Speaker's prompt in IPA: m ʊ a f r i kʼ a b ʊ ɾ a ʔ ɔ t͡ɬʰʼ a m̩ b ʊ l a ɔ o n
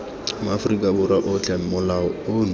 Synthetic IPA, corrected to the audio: m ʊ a f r i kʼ a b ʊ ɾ a ʔ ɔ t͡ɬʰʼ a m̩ m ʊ l a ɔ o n

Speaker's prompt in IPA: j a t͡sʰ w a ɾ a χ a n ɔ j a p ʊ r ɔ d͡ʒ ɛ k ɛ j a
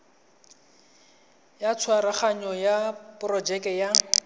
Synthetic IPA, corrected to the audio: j a t͡sʰ w a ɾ a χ a ɲ ɔ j a p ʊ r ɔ d͡ʒ ɛ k ɛ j a

